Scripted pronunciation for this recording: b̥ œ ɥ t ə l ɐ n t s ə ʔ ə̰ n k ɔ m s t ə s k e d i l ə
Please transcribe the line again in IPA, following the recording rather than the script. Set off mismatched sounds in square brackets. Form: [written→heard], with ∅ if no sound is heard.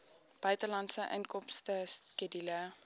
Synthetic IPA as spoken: b̥ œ ɥ t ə l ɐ n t s ə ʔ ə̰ n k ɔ m s t ə s k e d i l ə